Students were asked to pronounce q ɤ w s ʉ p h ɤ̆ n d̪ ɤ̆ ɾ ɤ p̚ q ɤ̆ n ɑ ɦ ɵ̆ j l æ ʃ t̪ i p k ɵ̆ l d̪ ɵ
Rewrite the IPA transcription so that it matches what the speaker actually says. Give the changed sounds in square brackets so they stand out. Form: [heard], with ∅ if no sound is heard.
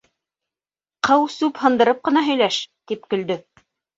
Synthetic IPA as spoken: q ɤ w s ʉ p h ɤ̆ n d̪ ɤ̆ ɾ ɤ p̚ q ɤ̆ n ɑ ɦ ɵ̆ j l æ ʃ t̪ i p k ɵ̆ l d̪ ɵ